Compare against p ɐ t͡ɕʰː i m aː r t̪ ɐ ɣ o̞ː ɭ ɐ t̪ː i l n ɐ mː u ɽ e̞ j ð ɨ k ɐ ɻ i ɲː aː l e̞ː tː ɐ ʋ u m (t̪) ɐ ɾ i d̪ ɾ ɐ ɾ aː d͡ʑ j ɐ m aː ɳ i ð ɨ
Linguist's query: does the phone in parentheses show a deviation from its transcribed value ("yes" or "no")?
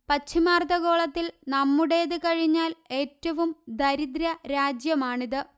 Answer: yes